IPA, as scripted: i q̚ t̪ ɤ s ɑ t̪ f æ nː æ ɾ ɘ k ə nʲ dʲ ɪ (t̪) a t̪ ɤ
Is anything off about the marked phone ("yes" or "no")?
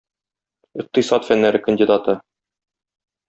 yes